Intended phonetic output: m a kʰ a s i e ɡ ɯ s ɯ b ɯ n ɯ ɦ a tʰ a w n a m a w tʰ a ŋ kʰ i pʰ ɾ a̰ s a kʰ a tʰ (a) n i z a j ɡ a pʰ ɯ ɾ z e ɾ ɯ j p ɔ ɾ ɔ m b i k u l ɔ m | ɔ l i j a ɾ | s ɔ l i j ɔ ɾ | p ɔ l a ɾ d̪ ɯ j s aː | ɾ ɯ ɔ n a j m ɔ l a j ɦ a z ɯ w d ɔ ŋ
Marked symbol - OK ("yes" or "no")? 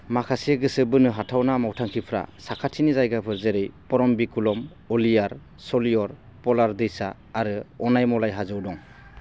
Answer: no